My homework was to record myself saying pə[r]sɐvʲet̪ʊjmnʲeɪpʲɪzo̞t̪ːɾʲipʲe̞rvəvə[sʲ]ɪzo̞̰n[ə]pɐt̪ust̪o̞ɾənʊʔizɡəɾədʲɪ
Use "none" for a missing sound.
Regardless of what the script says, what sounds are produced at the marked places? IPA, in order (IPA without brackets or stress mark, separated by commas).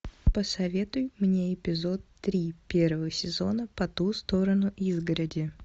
none, sʲ, ə